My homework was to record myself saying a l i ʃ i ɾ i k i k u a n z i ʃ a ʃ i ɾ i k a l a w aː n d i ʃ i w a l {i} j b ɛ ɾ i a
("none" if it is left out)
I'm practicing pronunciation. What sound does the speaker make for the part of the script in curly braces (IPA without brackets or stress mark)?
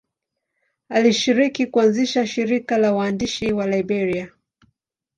a